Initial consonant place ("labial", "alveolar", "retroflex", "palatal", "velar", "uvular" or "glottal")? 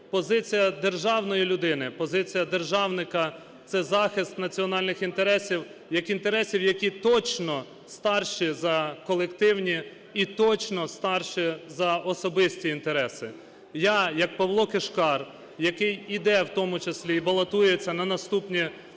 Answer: labial